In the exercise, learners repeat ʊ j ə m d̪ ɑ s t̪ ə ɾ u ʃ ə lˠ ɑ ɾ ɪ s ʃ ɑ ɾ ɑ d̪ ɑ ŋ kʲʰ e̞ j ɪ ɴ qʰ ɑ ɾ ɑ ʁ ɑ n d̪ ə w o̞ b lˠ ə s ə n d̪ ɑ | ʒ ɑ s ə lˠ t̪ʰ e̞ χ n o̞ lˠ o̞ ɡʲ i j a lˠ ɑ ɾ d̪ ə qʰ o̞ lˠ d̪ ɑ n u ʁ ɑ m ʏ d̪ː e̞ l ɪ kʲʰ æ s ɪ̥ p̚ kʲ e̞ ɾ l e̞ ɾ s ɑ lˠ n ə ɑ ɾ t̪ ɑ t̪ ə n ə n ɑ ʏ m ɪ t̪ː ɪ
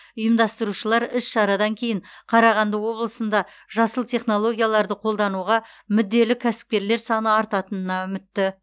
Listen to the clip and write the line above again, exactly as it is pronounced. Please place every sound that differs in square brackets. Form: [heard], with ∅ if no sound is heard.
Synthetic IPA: ʊ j ə m d̪ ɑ s t̪ ə ɾ u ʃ ə lˠ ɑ ɾ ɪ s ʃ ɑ ɾ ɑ d̪ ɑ ŋ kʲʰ e̞ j ɪ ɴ qʰ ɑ ɾ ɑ ʁ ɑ n d̪ ə w o̞ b lˠ ə s ə n d̪ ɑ | ʒ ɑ s ə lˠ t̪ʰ e̞ χ n o̞ lˠ o̞ ɡʲ i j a lˠ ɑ ɾ d̪ ə qʰ o̞ lˠ d̪ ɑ n u ʁ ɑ m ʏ d̪ː e̞ l ɪ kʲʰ æ s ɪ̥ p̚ kʲ e̞ ɾ l e̞ ɾ s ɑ [∅] n ə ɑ ɾ t̪ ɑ t̪ ə n ə n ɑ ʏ m ɪ t̪ː ɪ